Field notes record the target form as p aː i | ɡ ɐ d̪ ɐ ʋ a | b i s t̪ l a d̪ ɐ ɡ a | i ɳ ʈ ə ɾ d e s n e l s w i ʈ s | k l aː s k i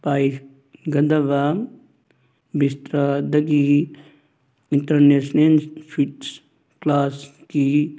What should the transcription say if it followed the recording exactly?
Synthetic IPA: p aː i | ɡ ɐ d̪ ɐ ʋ a | b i s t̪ ɾ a d̪ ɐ ɡ i | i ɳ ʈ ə ɾ n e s n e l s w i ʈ s | k l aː s k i